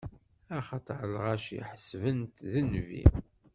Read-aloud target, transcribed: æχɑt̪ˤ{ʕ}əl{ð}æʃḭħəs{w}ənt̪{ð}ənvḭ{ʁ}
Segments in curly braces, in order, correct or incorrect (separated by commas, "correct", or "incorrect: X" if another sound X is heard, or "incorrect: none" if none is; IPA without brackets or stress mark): correct, incorrect: ʁ, incorrect: v, correct, incorrect: none